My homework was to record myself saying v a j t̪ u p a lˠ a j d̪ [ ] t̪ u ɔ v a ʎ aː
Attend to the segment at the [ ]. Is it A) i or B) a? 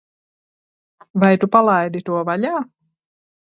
A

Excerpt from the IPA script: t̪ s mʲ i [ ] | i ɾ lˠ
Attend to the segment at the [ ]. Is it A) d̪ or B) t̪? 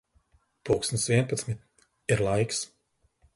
B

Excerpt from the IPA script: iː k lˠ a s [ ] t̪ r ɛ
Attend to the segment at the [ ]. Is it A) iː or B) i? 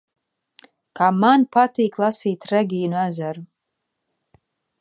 A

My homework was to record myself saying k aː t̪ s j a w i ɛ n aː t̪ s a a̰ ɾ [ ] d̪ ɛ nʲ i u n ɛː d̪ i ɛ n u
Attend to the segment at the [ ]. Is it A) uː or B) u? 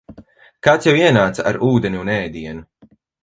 A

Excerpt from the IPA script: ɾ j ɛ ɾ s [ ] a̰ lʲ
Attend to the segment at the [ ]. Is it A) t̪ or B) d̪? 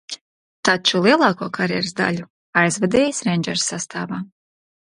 B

